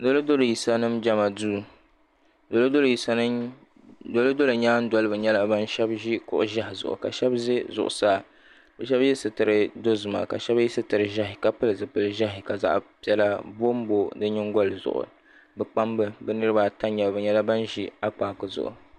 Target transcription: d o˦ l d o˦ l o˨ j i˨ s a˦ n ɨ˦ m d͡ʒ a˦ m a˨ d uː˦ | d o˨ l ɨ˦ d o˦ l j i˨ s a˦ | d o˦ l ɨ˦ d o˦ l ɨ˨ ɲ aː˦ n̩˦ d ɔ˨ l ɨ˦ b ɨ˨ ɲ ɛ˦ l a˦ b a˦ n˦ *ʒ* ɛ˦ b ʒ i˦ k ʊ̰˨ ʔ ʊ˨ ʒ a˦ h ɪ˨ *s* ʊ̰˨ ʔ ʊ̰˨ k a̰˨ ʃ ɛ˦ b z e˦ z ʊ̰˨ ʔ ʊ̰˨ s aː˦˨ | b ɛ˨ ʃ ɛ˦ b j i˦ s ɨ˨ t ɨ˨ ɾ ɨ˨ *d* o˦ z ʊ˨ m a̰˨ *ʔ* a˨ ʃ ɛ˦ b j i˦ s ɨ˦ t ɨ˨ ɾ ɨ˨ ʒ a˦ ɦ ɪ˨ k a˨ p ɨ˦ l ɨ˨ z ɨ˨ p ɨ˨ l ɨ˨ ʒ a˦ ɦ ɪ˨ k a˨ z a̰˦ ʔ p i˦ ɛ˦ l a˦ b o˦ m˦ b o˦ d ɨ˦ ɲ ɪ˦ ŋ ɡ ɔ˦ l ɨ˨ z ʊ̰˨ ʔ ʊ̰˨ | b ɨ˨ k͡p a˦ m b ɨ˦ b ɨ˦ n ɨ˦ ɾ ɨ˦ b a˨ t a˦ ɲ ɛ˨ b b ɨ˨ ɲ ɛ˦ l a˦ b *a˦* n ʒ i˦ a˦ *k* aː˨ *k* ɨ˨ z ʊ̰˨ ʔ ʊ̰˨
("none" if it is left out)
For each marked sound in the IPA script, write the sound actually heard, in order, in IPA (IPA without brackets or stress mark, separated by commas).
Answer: ʃ, z, d, k, a˦, k͡p, k